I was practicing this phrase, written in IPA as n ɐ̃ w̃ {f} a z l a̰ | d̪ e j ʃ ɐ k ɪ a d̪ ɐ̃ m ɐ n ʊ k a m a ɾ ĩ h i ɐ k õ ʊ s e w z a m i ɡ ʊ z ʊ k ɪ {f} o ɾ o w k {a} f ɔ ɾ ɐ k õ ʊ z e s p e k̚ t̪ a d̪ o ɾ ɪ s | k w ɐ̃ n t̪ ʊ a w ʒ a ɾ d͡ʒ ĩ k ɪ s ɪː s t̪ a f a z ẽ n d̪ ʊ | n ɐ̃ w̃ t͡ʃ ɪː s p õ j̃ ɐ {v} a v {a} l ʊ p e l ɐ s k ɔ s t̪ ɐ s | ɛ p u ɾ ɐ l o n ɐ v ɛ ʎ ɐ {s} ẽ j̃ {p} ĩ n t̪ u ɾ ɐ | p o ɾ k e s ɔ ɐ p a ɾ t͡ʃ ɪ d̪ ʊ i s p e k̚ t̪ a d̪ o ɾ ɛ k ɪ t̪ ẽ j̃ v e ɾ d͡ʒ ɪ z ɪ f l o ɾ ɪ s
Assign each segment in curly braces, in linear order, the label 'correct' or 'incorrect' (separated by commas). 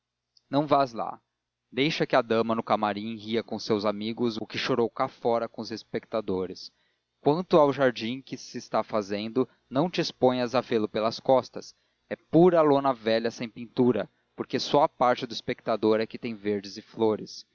incorrect, incorrect, correct, incorrect, incorrect, correct, correct